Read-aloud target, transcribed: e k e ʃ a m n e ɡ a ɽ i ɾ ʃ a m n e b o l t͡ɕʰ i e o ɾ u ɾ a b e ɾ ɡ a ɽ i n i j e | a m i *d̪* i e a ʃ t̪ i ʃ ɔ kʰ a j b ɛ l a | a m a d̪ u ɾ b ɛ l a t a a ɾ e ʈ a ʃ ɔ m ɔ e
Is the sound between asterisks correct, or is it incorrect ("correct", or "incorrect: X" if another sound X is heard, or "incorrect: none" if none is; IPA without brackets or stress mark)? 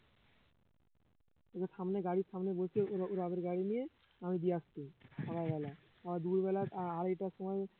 correct